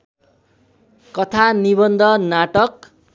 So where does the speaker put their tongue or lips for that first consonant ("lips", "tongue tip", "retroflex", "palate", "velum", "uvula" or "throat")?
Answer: velum